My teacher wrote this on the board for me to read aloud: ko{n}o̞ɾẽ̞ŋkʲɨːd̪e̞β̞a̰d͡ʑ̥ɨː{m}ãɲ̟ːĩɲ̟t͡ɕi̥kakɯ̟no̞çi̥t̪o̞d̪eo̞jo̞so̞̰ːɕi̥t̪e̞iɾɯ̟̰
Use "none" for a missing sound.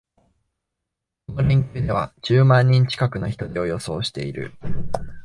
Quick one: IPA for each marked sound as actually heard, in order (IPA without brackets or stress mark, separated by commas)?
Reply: n, m